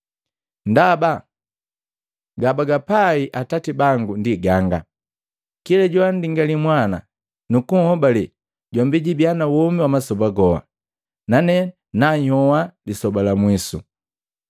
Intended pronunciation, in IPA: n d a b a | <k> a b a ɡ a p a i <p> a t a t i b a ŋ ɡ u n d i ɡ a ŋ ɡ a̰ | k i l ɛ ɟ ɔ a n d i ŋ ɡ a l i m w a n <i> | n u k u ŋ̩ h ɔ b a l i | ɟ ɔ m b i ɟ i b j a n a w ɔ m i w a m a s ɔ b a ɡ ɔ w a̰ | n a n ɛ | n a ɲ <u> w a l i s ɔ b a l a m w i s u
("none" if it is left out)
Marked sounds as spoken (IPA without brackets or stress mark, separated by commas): ɡ, ʔ, a, ɔ